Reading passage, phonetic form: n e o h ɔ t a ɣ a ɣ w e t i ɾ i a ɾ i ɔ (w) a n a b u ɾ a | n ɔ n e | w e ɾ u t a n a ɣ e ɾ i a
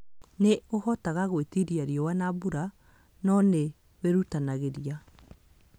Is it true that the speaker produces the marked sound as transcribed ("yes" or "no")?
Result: yes